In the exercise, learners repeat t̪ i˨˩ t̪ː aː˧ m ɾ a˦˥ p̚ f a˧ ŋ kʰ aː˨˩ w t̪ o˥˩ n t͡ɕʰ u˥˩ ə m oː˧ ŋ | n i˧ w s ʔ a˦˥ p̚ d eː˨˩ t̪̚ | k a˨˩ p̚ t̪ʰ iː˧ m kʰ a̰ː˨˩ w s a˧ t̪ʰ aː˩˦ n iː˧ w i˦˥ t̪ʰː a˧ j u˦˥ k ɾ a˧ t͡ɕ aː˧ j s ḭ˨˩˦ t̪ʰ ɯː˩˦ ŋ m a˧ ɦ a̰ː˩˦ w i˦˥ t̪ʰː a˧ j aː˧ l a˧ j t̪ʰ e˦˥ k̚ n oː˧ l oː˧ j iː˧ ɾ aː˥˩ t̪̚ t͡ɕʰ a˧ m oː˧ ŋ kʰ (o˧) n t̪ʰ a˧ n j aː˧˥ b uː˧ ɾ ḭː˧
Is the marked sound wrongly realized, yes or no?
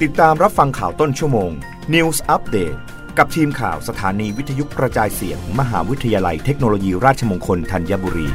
no